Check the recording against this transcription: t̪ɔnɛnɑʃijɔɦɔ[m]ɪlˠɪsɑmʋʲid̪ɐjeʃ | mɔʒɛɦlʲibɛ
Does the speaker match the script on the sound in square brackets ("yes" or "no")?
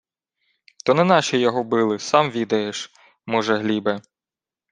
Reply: no